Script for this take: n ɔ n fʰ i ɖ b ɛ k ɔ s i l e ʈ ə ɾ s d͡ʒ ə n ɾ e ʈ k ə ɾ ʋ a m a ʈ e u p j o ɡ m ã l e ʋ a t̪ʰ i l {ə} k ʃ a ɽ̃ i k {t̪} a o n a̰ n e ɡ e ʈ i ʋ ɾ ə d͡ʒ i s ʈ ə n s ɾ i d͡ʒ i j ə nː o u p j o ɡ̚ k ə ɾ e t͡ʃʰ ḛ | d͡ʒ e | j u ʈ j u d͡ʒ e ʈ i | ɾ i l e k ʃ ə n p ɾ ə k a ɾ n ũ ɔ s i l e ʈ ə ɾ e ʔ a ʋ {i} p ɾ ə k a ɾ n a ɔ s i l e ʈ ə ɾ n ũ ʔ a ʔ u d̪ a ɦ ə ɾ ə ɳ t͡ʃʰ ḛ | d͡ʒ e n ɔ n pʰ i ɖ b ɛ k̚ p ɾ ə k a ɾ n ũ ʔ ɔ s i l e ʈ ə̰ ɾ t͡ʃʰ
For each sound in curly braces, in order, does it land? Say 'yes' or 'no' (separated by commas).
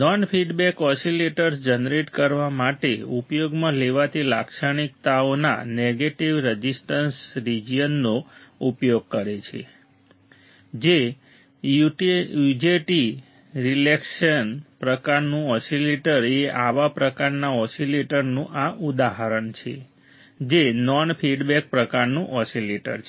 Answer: no, yes, no